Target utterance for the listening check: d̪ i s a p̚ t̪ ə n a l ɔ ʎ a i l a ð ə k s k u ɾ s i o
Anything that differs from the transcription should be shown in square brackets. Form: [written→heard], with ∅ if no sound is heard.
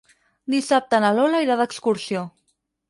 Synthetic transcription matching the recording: d̪ i s a p̚ t̪ ə n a l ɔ [ʎ→l] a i [l→ɾ] a ð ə k s k u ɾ s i o